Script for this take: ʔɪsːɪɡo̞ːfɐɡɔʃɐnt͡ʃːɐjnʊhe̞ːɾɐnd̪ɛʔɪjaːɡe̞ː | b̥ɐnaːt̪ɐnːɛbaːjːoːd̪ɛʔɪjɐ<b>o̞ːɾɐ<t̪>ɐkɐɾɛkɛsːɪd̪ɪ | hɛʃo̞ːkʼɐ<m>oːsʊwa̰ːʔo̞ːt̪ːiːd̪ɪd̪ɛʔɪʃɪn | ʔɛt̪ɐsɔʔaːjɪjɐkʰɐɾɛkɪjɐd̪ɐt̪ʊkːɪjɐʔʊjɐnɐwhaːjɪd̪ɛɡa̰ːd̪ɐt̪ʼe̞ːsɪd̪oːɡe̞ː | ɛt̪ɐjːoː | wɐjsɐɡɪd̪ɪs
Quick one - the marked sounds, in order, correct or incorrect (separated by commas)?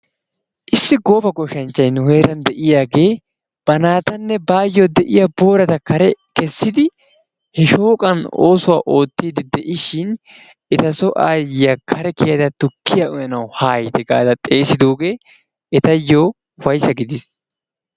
correct, correct, incorrect